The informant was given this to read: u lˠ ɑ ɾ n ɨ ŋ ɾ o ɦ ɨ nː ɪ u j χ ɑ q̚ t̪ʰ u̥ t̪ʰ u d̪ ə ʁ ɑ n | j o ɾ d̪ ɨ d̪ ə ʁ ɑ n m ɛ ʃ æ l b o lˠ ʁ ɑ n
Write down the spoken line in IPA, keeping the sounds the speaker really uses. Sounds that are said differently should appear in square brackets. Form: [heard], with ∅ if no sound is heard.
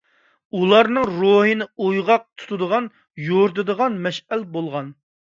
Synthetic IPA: u lˠ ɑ ɾ n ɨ ŋ ɾ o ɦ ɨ [n] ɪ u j [ʁ] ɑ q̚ t̪ʰ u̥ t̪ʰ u d̪ ə ʁ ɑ n | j o ɾ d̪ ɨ d̪ ə ʁ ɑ n m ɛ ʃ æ l b o lˠ ʁ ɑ n

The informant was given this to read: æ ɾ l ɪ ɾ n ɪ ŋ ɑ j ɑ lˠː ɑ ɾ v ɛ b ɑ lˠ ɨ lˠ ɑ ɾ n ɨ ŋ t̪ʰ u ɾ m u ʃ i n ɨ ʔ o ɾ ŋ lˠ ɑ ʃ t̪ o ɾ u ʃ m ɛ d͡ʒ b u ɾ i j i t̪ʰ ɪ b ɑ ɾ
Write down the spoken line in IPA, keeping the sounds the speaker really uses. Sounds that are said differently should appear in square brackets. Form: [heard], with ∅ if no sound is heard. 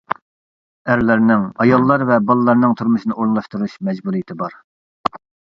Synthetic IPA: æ ɾ l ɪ ɾ n ɪ ŋ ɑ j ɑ lˠː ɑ ɾ v ɛ b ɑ lˠ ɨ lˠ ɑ ɾ n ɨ ŋ t̪ʰ u ɾ m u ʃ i n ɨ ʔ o ɾ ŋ lˠ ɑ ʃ t̪ [u] ɾ u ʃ m ɛ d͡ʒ b u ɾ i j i t̪ʰ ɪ b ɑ ɾ

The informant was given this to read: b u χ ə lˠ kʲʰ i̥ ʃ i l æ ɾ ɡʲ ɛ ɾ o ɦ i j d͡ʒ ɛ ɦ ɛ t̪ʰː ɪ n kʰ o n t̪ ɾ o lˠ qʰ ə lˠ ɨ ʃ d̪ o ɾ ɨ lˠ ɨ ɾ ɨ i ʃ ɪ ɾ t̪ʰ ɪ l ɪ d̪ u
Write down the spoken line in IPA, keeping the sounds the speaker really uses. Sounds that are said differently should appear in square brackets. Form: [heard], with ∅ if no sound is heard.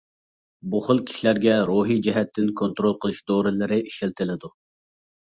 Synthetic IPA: b u χ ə lˠ kʲʰ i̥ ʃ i l æ ɾ ɡʲ ɛ ɾ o ɦ i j d͡ʒ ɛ ɦ ɛ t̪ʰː ɪ n kʰ o n t̪ ɾ o lˠ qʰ ə lˠ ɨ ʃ d̪ o ɾ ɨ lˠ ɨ ɾ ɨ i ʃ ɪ [l] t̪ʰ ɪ l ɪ d̪ u

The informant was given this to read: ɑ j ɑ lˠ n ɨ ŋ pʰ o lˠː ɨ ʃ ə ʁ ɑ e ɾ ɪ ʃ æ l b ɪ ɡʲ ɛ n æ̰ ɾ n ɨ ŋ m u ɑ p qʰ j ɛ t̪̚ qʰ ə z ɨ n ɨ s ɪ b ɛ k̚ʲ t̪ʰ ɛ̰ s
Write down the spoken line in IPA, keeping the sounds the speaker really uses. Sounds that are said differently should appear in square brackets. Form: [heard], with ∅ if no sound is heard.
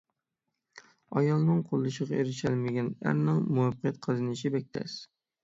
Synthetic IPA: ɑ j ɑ lˠ n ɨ ŋ [qʰ] o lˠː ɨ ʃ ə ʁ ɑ e ɾ ɪ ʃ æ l [m] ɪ ɡʲ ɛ n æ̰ ɾ n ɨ ŋ m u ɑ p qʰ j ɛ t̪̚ qʰ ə z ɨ n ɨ [ʃ] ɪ b ɛ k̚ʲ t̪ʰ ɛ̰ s

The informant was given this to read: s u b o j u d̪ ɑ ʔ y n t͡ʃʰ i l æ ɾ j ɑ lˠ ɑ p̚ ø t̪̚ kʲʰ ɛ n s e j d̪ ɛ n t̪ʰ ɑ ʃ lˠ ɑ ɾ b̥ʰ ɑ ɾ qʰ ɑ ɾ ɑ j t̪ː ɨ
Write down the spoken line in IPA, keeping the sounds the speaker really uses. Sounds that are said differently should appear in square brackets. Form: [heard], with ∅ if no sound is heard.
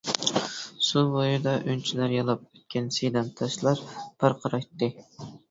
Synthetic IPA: s u b o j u d̪ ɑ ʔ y n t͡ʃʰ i l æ ɾ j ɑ lˠ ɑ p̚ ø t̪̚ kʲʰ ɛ n s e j d̪ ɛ n t̪ʰ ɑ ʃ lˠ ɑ ɾ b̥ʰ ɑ ɾ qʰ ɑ ɾ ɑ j t̪ː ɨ

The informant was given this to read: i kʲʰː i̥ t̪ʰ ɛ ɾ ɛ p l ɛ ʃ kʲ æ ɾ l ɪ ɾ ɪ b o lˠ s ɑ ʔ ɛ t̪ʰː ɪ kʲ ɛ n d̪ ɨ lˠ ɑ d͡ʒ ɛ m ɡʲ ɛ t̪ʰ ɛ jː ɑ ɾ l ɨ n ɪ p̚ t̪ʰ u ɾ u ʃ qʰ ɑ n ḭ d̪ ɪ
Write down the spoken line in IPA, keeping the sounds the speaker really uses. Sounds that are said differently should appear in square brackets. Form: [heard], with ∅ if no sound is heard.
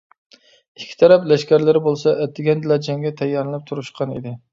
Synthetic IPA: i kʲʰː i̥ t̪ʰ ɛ ɾ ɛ p l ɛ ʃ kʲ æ ɾ l ɪ ɾ ɪ b o lˠ s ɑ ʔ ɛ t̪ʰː ɪ [ɡʲ] ɛ n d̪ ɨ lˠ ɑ d͡ʒ ɛ [ŋ] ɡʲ ɛ t̪ʰ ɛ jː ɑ ɾ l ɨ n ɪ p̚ t̪ʰ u ɾ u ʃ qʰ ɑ n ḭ d̪ ɪ

